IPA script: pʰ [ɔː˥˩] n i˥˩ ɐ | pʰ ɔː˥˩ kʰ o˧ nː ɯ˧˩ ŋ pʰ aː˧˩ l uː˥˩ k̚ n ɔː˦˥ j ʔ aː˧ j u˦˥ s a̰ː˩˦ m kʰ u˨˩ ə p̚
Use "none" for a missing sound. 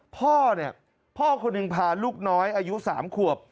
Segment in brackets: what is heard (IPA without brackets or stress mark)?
ɔː˥˩